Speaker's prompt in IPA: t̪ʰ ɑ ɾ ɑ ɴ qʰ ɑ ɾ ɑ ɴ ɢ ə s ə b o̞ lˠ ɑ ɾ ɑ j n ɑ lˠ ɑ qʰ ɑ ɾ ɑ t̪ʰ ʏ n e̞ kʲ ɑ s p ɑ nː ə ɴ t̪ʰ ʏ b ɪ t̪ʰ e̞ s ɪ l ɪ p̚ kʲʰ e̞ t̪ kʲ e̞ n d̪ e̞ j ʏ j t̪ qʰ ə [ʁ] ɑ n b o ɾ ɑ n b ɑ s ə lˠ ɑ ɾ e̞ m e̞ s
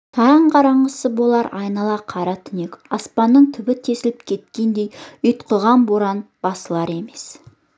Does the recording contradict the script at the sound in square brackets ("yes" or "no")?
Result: no